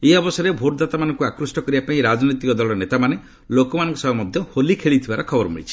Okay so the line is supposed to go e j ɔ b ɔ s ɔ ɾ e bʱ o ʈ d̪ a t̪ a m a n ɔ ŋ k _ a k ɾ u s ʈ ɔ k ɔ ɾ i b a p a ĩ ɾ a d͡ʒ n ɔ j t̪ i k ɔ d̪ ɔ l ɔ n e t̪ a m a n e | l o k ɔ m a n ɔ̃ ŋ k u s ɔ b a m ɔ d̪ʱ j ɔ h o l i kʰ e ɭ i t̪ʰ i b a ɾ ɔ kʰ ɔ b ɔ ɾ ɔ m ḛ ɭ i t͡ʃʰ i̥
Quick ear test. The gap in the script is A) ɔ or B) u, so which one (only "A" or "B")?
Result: B